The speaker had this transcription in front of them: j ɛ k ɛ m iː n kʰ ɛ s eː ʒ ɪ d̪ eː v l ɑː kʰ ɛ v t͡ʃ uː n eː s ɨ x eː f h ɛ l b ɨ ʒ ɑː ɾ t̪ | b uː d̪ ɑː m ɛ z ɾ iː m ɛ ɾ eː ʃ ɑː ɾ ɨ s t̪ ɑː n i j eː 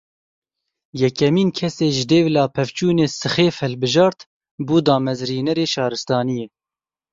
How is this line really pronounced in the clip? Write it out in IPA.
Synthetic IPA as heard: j ɛ k ɛ m iː n kʰ ɛ s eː ʒ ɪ d̪ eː v l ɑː pʰ ɛ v t͡ʃ uː n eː s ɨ x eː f h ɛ l b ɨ ʒ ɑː ɾ t̪ | b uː d̪ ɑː m ɛ z ɾ iː n ɛ ɾ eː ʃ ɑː ɾ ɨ s t̪ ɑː n i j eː